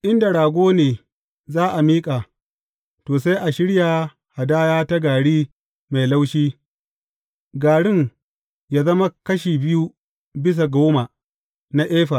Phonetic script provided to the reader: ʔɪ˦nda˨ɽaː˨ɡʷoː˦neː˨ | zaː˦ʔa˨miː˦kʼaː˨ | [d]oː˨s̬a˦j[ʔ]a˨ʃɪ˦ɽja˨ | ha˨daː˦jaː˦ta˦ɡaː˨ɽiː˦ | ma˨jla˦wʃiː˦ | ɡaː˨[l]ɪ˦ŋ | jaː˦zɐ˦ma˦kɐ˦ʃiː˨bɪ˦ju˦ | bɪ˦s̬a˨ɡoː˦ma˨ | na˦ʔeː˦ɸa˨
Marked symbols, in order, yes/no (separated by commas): no, yes, no